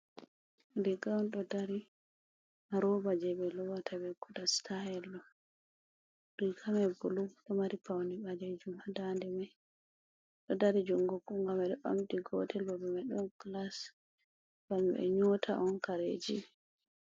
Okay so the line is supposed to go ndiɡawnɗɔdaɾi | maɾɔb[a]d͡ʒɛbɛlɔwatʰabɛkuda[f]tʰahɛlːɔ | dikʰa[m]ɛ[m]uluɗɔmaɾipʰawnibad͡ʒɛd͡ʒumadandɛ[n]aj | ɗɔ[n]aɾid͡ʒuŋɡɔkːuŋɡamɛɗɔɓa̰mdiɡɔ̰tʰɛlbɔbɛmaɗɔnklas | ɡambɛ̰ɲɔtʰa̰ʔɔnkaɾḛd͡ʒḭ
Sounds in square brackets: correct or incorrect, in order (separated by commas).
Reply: correct, incorrect, correct, incorrect, incorrect, incorrect